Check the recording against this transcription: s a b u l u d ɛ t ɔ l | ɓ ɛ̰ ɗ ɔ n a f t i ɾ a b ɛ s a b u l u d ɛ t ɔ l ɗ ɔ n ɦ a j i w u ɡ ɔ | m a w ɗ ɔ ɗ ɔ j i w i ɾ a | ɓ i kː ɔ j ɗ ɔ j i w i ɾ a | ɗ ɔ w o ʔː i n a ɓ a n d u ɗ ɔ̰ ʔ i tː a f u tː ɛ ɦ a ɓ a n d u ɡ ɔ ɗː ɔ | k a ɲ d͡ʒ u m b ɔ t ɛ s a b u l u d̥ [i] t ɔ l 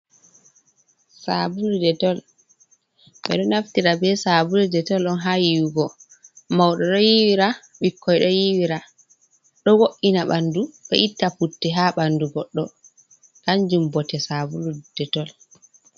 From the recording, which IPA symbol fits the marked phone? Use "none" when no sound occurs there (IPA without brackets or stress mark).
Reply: ɛ